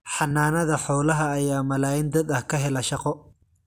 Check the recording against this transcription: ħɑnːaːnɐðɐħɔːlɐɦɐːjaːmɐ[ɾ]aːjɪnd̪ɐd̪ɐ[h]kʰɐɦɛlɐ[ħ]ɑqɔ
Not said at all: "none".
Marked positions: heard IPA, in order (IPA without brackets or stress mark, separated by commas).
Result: l, h, ʃ